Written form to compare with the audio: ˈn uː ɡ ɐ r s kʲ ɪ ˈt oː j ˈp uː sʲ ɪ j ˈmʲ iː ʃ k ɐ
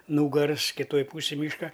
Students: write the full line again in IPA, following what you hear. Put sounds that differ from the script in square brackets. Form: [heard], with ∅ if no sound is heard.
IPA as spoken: ˈn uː ɡ ɐ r s kʲ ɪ ˈt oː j ˈp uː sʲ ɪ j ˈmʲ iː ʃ k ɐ